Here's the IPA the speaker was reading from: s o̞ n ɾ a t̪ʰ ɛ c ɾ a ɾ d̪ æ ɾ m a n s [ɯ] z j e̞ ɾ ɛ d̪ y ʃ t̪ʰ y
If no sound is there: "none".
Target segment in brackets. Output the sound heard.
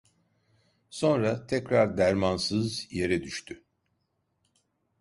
ɯ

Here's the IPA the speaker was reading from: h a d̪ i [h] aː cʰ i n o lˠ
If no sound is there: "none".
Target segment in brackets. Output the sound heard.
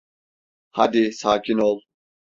s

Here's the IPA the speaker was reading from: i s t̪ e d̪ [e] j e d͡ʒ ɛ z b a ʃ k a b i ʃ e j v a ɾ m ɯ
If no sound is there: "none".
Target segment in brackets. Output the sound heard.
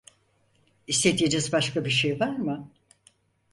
i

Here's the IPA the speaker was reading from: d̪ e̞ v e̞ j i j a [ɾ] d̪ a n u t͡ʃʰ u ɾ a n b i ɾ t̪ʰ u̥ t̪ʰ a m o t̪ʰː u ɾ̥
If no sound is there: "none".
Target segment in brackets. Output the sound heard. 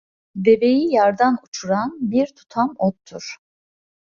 ɾ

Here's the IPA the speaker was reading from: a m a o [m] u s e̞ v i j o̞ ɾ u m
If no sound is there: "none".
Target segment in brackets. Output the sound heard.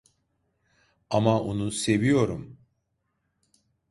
n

